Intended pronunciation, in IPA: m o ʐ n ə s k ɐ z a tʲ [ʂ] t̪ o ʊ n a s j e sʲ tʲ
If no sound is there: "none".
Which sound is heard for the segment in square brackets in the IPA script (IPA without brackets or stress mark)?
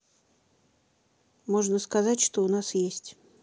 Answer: ʂ